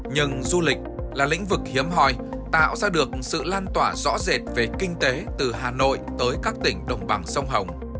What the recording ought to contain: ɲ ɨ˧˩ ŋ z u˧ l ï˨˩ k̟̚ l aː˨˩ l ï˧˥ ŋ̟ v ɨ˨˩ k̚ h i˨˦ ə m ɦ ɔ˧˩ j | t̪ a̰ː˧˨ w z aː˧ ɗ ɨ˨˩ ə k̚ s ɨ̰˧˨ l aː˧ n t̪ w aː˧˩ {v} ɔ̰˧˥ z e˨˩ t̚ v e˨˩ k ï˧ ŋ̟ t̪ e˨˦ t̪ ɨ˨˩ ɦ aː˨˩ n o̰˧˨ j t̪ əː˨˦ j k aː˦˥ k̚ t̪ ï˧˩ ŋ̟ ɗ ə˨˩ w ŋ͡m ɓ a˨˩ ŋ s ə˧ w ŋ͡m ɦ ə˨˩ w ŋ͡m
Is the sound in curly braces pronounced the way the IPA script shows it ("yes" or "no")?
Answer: no